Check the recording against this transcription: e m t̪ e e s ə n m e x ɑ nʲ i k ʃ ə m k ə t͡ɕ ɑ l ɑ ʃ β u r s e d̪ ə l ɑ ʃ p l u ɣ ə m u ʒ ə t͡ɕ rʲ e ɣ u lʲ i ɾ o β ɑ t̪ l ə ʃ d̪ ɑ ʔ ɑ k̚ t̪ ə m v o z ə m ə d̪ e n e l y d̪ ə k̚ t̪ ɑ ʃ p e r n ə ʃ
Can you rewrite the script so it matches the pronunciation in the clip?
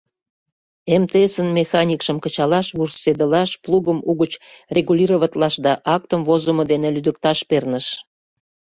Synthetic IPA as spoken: e m t̪ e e s ə n m e x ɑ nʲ i k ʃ ə m k ə t͡ɕ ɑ l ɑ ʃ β u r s e d̪ ə l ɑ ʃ p l u ɣ ə m u ɣ ə t͡ɕ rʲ e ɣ u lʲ i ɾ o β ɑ t̪ l ɑ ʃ d̪ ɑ ʔ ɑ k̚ t̪ ə m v o z ə m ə d̪ e n e l y d̪ ə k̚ t̪ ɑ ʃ p e r n ə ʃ